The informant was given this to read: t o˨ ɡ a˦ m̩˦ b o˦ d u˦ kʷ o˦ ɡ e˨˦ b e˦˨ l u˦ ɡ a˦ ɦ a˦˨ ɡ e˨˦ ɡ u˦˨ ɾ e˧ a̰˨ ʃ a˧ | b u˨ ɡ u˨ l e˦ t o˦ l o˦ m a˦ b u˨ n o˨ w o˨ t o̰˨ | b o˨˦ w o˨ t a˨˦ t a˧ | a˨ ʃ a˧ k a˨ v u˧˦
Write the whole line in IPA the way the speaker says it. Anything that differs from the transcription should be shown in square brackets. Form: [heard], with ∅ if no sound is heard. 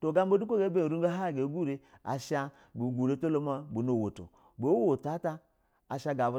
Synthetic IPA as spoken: t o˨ ɡ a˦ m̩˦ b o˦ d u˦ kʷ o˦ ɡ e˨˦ b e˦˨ [ɾ] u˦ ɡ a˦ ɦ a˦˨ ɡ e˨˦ ɡ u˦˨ ɾ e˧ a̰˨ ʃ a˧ | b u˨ ɡ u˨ [ɾ] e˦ t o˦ l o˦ m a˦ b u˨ n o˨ w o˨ t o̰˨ | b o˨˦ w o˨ t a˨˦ t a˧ | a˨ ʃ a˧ [ɡ] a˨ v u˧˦

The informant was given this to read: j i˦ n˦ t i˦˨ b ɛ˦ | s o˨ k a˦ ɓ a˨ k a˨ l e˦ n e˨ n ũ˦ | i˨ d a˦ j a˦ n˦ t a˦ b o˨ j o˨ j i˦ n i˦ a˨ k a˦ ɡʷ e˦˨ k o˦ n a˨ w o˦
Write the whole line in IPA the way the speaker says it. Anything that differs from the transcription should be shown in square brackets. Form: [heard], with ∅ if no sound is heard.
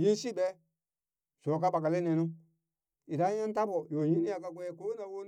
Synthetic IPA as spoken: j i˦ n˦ [s] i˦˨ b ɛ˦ | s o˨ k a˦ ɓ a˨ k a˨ l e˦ n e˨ n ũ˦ | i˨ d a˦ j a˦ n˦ t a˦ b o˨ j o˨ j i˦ n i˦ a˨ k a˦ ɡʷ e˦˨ k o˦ n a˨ w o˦

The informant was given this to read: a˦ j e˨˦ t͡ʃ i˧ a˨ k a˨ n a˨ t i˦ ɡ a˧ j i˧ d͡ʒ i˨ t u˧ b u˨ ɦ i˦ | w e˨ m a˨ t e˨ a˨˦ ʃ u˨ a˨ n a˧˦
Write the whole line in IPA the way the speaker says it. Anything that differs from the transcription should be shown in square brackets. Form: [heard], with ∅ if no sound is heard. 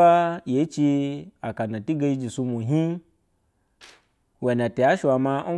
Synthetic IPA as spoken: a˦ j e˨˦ t͡ʃ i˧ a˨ k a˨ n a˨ t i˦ ɡ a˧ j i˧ d͡ʒ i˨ [s] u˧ [m] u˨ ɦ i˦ | w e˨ [n] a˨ t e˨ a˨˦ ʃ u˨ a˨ [m] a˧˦

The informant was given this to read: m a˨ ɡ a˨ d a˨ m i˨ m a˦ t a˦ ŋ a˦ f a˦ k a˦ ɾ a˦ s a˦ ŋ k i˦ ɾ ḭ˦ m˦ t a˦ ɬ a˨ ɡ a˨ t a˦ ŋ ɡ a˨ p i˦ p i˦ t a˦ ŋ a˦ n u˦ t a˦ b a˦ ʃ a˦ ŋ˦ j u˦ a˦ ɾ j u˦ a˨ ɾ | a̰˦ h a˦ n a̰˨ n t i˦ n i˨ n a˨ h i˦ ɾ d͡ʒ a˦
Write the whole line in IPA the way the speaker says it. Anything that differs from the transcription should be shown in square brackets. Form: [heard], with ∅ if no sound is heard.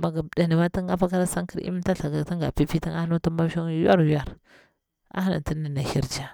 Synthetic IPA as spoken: m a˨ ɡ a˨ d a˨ [n] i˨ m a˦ t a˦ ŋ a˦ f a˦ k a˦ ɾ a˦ s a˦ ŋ k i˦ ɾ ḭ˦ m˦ t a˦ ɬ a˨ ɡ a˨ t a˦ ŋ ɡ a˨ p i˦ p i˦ t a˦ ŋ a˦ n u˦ t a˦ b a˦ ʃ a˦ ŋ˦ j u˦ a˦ ɾ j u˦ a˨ ɾ | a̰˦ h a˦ n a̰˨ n t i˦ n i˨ n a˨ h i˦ ɾ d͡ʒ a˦

